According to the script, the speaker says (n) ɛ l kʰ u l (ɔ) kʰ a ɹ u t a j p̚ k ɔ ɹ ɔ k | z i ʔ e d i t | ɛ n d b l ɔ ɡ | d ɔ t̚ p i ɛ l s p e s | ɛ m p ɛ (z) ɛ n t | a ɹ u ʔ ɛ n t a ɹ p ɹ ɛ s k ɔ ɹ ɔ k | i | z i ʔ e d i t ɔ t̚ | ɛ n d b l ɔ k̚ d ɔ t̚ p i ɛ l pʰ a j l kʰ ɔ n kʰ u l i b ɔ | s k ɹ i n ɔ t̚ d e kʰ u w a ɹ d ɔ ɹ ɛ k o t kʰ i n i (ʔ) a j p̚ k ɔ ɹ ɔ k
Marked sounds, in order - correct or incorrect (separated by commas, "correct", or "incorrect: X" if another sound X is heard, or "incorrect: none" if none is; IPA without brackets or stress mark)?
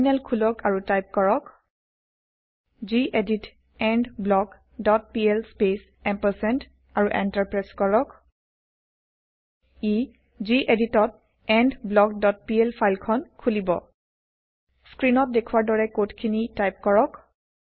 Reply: correct, correct, incorrect: s, incorrect: t